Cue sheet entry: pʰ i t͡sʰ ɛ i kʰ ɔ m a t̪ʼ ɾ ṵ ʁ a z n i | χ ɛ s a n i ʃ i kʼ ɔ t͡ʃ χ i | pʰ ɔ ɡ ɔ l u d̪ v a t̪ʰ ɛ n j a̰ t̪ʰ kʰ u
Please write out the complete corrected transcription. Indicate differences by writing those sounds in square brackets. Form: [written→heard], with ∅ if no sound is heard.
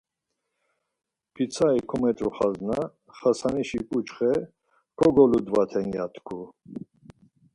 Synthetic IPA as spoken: pʰ i t͡sʰ [ɛ→a] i kʰ ɔ m [a→ɛ] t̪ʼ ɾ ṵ [ʁ→χ] a z n [i→a] | χ [ɛ→a] s a n i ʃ i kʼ [ɔ→u] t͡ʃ χ [i→ɛ] | [pʰ→kʰ] ɔ ɡ ɔ l u d̪ v a t̪ʰ ɛ n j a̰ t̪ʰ kʰ u